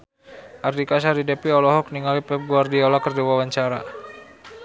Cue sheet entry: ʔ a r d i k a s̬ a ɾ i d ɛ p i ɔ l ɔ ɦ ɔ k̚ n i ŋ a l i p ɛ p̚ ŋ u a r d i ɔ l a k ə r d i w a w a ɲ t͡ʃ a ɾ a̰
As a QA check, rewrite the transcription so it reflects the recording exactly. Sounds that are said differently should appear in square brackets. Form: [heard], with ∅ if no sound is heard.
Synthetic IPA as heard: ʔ a r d i k a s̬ a ɾ i d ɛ p i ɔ l ɔ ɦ ɔ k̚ n i ŋ a l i p ɛ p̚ [ɡ] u a r d i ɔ l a k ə r d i w a w a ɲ t͡ʃ a ɾ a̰